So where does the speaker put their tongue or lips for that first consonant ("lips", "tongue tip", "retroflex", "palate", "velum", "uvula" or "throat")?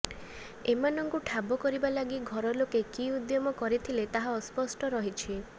lips